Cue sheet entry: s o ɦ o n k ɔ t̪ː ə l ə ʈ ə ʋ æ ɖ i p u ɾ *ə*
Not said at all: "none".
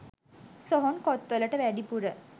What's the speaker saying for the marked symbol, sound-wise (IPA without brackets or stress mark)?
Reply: ə